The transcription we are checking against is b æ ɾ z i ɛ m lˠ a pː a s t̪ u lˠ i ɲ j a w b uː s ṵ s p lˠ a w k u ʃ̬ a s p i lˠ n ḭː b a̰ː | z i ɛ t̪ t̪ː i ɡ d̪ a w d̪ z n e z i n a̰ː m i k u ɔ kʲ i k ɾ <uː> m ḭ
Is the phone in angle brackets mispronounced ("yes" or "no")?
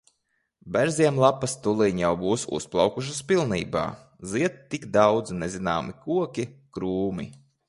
no